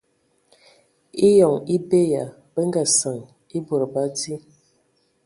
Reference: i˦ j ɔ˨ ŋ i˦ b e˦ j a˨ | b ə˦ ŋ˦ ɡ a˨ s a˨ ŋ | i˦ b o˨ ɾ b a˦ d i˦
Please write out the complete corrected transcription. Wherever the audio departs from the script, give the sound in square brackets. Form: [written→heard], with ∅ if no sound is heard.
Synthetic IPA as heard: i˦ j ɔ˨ ŋ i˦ b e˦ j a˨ | b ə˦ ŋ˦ ɡ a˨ s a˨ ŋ | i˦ b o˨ ɾ b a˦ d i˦